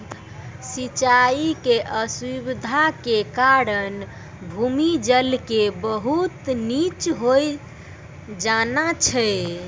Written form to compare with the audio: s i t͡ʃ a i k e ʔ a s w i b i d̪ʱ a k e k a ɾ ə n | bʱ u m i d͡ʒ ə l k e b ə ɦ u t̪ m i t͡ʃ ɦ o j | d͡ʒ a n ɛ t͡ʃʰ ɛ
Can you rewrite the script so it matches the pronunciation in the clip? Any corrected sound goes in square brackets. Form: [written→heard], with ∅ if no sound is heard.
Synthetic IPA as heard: s i t͡ʃ a i k e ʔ [a→ə] s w i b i d̪ʱ a k e k a ɾ ə n | bʱ u m i d͡ʒ ə l k e b ə ɦ u t̪ [m→n] i t͡ʃ ɦ o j | d͡ʒ a n [ɛ→a] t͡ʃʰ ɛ